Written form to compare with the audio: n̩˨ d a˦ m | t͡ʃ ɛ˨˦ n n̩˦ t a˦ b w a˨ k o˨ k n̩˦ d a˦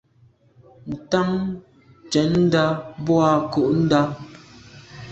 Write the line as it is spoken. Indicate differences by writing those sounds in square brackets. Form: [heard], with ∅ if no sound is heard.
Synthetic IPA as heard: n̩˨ [t] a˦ [ŋ] | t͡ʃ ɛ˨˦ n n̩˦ [d] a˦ b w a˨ k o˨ [ʔ] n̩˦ d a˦